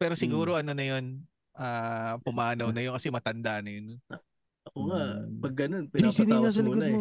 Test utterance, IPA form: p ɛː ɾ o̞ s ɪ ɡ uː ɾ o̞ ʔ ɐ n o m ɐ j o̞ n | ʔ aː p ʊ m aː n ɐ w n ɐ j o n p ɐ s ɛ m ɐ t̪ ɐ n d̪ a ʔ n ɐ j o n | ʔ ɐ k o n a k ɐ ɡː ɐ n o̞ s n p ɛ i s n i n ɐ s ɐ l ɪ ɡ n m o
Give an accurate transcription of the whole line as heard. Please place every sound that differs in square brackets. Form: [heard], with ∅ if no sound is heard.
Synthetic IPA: p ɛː ɾ o̞ s ɪ ɡ uː ɾ o̞ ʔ ɐ n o [n] ɐ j o̞ n | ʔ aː p ʊ m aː n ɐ w n ɐ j o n [k] ɐ s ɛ m ɐ t̪ ɐ n d̪ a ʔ n ɐ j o n | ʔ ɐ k o [ŋ] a [p] ɐ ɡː ɐ n o̞ [∅] n p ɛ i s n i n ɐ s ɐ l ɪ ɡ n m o